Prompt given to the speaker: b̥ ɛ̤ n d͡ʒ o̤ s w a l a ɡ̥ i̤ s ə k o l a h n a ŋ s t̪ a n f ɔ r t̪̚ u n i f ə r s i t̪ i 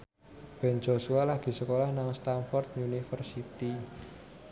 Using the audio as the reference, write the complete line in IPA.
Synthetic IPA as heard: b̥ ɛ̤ n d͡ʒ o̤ s u a l a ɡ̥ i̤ s ə k o l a h n a ŋ s t̪ a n f ɔ r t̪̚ u n i f ə r s i t̪ i